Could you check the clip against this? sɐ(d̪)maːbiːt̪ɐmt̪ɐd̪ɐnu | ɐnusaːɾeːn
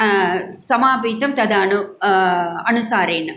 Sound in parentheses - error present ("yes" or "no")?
yes